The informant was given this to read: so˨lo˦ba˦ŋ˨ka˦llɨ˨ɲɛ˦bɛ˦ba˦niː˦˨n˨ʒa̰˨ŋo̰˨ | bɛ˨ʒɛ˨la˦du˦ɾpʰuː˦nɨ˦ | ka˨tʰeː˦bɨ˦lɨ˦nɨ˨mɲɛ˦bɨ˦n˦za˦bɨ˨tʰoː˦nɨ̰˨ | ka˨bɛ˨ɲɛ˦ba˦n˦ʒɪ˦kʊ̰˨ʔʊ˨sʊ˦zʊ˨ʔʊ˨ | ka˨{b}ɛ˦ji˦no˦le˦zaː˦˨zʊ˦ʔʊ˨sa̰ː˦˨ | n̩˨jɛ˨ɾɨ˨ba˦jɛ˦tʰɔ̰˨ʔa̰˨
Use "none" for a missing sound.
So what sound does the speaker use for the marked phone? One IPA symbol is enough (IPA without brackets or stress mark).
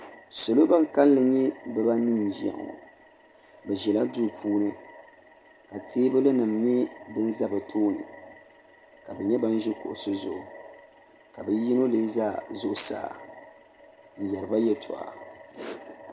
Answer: b